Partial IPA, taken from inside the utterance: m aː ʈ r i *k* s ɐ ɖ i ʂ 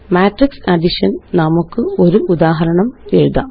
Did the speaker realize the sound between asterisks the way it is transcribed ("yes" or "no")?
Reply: yes